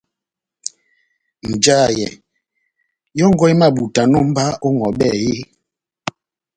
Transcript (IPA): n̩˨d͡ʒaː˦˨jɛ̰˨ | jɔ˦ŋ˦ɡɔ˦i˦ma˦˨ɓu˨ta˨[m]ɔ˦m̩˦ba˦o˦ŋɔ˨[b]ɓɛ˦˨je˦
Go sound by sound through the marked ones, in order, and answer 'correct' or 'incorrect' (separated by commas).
incorrect, incorrect